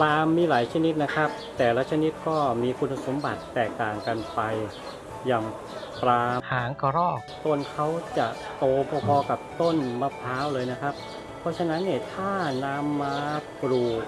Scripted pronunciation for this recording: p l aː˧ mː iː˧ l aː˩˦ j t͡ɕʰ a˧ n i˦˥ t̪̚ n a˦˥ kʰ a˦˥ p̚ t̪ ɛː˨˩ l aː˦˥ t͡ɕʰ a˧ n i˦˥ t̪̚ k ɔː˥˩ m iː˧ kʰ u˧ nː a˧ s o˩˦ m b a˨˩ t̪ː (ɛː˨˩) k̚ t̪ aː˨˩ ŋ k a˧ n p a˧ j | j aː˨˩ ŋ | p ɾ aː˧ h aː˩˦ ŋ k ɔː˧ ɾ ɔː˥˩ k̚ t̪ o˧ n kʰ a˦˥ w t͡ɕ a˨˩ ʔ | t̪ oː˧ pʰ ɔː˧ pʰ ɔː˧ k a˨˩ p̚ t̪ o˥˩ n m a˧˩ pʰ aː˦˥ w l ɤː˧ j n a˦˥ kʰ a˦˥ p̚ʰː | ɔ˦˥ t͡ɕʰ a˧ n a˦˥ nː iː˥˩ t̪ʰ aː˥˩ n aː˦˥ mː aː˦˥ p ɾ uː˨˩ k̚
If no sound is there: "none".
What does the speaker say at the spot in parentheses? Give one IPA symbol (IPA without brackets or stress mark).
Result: ɛː˨˩